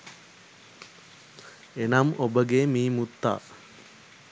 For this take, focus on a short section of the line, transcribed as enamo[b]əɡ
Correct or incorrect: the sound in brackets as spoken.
correct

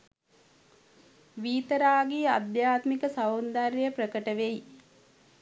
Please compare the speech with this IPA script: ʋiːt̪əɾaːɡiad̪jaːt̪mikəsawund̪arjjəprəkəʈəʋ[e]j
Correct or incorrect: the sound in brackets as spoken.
correct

